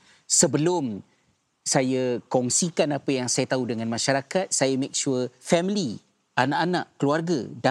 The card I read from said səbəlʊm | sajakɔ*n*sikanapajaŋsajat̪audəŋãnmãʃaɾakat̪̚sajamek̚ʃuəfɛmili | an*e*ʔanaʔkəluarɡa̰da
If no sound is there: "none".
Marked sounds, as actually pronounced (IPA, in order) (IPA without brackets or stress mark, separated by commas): ŋ, a